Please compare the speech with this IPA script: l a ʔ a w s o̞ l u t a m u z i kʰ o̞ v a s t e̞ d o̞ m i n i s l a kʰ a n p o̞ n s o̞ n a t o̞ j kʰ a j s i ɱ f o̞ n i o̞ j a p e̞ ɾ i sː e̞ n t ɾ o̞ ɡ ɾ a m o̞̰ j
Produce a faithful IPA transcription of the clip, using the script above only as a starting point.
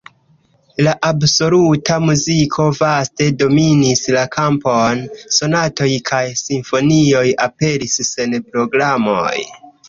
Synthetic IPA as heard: l a ʔ a b s o̞ l u t a m u z i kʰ o̞ v a s t e̞ d o̞ m i n i s l a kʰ a m p o̞ n s o̞ n a t o̞ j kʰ a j s i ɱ f o̞ n i o̞ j a p e̞ ɾ i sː e̞ n p ɾ o̞ ɡ ɾ a m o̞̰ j